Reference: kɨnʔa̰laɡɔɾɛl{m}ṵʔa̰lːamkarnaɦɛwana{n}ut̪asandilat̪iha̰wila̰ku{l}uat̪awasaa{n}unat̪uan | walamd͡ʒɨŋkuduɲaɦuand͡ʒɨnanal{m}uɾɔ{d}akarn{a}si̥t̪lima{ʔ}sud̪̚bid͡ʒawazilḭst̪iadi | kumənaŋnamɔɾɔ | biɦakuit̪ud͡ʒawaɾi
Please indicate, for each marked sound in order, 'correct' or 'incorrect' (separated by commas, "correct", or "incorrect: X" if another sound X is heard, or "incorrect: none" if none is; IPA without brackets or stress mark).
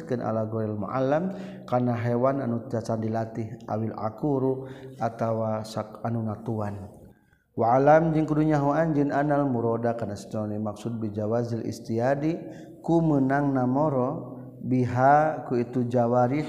correct, correct, incorrect: ɾ, correct, correct, correct, correct, incorrect: k